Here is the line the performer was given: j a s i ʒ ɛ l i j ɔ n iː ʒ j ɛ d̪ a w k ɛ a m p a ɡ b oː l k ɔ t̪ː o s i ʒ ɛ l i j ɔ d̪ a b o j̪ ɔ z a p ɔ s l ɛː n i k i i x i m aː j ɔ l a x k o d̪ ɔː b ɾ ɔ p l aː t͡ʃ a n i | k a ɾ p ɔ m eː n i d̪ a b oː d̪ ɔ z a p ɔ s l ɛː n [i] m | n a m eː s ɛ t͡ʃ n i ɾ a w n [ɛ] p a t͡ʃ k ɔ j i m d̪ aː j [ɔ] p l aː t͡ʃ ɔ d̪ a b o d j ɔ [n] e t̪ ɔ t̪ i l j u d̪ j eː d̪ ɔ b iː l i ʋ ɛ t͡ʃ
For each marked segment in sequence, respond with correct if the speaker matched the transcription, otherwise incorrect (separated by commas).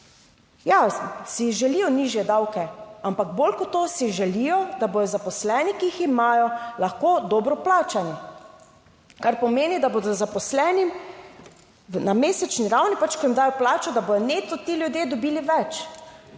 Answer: correct, incorrect, correct, correct